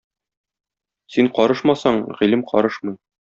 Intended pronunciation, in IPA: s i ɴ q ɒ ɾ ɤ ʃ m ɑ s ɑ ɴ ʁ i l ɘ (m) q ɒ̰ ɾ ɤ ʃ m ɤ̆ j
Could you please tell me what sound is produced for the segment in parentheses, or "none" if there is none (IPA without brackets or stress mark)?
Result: m